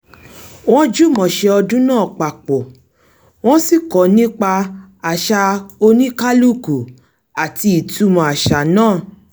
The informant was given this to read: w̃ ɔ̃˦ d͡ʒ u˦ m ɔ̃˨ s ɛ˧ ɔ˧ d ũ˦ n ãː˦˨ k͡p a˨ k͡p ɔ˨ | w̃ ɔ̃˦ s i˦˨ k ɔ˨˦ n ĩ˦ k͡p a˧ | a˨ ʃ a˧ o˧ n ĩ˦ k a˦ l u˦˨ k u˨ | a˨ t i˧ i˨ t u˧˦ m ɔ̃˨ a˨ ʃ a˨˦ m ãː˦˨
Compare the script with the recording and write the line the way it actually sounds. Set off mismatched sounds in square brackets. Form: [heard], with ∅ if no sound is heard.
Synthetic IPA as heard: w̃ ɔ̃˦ d͡ʒ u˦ m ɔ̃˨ [ʃ] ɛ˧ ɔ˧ d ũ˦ n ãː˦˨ k͡p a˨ k͡p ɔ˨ | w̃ ɔ̃˦ s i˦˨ k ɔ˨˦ n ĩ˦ k͡p a˧ | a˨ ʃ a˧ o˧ n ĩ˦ k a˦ l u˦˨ k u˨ | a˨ t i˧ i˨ t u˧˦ m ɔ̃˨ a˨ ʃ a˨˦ [n] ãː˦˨